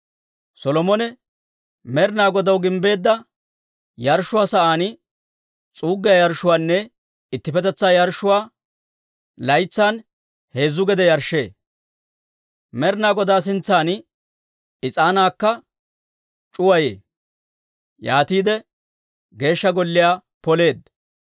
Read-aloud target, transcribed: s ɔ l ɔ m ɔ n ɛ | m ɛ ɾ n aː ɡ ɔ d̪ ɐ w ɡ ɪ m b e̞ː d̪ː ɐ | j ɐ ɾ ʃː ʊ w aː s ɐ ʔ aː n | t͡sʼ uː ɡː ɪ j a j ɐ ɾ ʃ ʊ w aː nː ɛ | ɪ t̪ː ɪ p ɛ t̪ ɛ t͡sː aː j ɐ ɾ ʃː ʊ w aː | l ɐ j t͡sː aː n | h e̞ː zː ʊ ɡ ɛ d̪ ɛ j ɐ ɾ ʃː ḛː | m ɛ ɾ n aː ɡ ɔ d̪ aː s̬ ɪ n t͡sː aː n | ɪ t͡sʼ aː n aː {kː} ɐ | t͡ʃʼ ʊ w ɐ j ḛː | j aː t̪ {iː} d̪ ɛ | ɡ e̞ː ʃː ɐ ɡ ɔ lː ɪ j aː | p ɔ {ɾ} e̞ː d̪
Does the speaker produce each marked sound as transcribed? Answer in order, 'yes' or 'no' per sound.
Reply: yes, yes, no

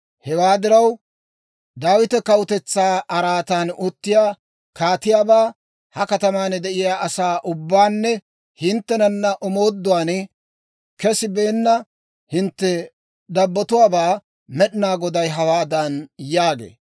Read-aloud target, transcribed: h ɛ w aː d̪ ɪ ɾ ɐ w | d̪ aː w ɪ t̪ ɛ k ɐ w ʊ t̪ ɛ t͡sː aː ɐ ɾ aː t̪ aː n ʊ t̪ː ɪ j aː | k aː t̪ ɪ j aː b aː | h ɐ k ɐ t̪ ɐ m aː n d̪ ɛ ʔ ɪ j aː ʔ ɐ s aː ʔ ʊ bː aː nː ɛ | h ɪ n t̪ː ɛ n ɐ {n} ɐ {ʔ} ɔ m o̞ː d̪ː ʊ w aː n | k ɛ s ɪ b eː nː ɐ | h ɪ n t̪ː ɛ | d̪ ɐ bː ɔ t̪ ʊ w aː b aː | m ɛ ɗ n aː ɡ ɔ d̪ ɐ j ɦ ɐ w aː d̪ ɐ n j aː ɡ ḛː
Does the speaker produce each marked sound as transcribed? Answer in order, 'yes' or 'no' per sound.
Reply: no, yes

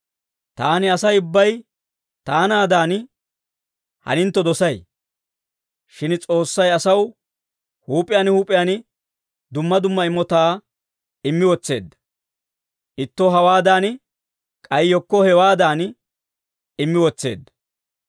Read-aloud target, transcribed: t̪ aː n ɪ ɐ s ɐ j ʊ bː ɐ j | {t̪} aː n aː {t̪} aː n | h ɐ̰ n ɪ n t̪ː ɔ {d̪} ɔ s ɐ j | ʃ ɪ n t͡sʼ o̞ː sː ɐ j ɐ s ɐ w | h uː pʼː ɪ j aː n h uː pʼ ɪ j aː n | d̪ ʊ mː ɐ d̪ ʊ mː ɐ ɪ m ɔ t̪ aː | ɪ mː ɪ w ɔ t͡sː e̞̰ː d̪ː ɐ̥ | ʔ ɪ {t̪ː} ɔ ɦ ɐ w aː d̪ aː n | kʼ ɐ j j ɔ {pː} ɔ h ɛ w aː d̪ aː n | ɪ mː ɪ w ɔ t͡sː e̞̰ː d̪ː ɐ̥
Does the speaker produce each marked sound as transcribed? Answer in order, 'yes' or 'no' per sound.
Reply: yes, no, yes, yes, no

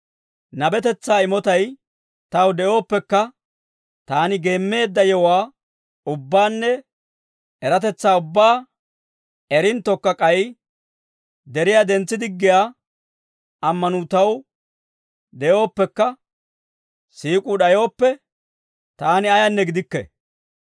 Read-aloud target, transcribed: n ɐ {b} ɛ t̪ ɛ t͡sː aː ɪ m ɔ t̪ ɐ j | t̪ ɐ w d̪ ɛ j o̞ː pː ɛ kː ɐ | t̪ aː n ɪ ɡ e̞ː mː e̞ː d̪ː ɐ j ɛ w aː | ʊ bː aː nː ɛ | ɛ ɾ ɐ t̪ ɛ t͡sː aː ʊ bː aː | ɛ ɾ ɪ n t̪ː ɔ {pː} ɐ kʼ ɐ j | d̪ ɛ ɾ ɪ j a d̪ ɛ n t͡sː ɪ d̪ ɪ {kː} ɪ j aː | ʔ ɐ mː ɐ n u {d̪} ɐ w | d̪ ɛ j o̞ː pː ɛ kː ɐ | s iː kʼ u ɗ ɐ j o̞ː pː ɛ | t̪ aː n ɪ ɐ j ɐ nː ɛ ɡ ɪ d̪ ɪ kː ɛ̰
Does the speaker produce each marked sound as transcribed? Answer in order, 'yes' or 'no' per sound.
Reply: yes, no, no, no

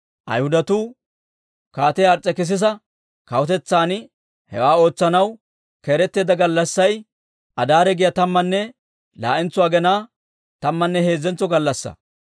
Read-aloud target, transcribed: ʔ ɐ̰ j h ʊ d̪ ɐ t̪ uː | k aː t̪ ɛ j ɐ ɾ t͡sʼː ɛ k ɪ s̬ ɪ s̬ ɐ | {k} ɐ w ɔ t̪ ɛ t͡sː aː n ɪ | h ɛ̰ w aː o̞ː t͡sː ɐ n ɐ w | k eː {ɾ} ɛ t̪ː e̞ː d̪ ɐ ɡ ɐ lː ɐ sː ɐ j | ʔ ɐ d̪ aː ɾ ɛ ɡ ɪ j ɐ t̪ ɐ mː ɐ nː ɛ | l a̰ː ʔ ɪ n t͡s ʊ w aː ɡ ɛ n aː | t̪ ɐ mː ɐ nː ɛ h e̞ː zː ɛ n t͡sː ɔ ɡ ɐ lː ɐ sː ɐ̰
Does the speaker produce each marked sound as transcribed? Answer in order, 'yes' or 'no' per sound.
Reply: yes, yes

